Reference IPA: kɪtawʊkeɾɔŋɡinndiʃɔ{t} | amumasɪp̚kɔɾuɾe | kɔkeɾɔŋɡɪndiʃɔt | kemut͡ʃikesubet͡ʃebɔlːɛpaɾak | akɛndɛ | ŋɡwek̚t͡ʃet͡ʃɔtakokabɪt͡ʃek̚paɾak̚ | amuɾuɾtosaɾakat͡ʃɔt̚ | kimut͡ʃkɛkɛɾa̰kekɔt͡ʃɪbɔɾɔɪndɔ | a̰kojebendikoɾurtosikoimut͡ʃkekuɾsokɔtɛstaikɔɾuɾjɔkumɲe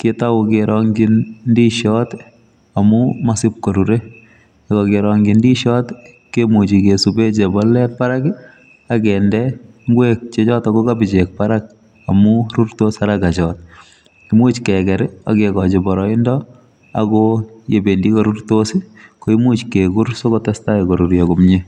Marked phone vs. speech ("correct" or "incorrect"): correct